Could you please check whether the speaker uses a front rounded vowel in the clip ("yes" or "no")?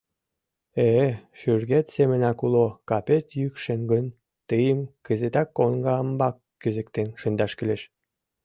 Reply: yes